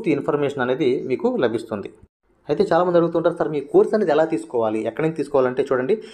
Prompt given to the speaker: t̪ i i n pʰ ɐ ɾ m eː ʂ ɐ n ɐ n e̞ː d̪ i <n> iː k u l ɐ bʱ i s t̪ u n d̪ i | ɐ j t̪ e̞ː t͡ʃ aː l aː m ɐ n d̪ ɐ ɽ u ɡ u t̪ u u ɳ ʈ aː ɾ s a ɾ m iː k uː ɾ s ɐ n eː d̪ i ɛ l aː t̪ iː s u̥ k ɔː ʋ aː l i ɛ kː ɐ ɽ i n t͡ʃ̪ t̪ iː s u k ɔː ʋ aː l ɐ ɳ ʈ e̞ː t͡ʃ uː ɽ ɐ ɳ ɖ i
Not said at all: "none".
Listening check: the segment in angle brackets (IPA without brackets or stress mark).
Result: m